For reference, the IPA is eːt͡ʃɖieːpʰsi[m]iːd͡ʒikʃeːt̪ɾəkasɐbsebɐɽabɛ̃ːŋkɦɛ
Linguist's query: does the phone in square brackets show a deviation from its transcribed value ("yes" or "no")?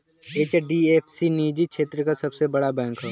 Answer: yes